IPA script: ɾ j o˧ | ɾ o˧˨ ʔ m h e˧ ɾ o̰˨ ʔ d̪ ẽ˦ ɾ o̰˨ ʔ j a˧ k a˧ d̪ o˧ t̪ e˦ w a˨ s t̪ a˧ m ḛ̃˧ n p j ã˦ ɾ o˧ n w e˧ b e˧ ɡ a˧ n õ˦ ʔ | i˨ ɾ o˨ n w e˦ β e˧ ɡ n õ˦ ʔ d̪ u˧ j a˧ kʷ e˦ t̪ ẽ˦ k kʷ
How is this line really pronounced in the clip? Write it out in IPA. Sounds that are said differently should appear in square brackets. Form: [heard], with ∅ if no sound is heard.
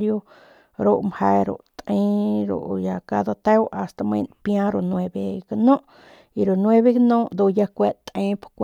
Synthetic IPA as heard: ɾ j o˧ | ɾ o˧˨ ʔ m h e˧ ɾ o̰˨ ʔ [t̪] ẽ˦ ɾ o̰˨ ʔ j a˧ k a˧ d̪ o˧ t̪ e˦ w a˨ s t̪ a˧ m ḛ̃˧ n p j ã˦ ɾ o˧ n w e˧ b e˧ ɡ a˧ n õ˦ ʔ | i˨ ɾ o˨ n w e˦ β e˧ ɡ n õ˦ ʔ d̪ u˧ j a˧ kʷ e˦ t̪ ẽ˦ [p] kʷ

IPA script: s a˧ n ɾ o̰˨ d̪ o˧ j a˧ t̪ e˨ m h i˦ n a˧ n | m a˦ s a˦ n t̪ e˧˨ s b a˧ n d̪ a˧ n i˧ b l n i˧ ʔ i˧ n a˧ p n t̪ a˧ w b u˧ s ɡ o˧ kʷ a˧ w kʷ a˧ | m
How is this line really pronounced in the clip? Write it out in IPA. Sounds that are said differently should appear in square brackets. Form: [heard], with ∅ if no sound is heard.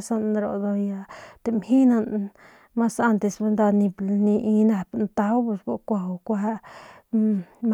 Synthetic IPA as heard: s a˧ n ɾ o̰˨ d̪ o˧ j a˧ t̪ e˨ m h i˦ n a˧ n | m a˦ s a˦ n t̪ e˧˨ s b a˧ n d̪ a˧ n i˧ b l n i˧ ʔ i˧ n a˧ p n t̪ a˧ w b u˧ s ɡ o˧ kʷ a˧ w kʷ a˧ | m

